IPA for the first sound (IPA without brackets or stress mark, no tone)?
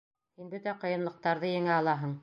h